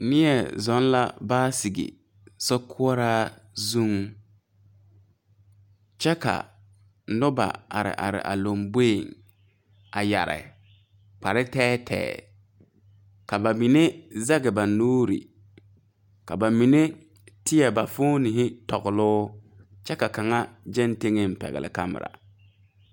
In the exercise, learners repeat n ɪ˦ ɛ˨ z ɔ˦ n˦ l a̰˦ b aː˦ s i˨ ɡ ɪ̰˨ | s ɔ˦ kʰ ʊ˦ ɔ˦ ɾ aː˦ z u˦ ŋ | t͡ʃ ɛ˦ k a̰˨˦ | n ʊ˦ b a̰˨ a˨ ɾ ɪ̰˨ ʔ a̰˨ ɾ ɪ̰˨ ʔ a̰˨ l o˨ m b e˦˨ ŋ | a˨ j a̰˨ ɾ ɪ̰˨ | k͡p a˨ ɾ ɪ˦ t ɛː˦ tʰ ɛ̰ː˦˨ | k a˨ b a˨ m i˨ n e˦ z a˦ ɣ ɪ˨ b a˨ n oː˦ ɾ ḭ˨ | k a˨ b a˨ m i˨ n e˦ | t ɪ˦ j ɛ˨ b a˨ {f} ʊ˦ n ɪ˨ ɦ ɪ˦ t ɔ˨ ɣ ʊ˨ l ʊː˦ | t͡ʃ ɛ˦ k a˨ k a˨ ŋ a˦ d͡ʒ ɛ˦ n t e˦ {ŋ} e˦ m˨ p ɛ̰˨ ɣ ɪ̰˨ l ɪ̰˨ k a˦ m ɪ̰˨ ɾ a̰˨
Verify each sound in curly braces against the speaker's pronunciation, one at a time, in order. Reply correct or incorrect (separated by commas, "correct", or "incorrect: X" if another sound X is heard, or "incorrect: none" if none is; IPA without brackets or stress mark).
correct, correct